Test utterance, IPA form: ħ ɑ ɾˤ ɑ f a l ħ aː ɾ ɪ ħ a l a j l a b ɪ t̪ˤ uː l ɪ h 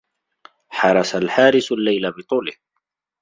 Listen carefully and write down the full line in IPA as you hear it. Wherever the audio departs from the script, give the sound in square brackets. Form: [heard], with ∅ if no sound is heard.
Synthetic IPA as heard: ħ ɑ ɾˤ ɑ [s] a l ħ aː ɾ ɪ [s] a [lː] a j l a b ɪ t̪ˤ uː l ɪ h

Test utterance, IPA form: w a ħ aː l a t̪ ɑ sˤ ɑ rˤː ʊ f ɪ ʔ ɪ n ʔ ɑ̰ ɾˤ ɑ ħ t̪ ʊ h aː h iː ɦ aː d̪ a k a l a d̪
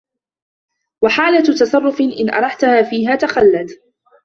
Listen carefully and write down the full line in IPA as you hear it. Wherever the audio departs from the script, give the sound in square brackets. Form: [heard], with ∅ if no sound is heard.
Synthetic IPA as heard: w a ħ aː l a t̪ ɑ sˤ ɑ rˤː ʊ f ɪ ʔ ɪ n ʔ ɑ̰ ɾˤ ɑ ħ t̪ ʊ h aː [f] iː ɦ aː [t̪] a [x] a [lː] a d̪

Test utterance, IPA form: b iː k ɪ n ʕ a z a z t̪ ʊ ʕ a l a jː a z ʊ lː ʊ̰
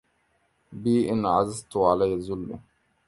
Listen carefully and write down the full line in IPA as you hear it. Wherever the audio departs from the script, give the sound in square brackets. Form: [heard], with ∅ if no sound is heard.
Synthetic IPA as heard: b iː [ʔ] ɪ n ʕ a z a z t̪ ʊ ʕ a l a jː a z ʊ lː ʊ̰

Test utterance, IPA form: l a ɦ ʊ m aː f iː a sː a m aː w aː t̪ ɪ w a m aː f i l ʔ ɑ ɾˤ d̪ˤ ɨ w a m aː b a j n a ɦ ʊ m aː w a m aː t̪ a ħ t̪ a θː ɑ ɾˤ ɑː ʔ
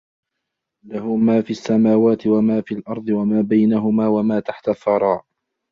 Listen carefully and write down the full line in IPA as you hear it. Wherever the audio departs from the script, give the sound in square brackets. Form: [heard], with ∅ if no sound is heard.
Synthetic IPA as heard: l a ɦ ʊ m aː f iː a sː a m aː w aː t̪ ɪ w a m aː f i l ʔ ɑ ɾˤ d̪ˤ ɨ w a m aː b a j n a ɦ ʊ m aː w a m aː t̪ a ħ t̪ a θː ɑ ɾˤ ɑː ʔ

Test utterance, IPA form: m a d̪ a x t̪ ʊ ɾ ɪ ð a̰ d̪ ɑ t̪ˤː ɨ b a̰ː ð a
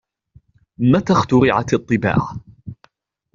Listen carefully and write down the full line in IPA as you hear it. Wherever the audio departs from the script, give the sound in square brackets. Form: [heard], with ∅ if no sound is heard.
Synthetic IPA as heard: m a [t̪] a x t̪ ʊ ɾ ɪ [ʕ] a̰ [t̪] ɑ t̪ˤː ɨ b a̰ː [ʕ] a

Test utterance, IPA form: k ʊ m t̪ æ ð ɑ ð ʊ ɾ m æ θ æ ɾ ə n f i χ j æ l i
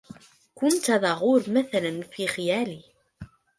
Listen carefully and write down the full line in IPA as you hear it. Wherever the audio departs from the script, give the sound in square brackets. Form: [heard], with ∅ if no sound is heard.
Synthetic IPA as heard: k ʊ [n] t̪ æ ð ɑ [ʁ] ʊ ɾ m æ θ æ [l] ə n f i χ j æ l i

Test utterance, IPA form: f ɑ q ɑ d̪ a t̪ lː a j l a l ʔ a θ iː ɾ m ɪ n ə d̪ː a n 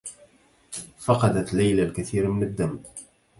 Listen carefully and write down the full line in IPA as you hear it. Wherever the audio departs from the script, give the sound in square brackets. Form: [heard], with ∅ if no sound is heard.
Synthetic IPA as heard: f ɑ q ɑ d̪ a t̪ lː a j l a l [k] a θ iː ɾ m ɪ n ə d̪ː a [m]

